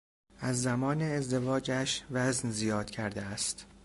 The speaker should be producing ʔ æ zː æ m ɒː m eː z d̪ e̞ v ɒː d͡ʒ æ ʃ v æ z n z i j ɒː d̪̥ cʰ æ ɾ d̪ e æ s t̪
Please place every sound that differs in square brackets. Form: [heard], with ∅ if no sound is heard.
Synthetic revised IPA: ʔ æ zː æ m ɒː [n] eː z d̪ e̞ v ɒː d͡ʒ æ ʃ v æ z n z i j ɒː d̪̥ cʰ æ ɾ d̪ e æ s t̪